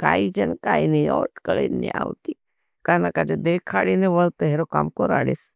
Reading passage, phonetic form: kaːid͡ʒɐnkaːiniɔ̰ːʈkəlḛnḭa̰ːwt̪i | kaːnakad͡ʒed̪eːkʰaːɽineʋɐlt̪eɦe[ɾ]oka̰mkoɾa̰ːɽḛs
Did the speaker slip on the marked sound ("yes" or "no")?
no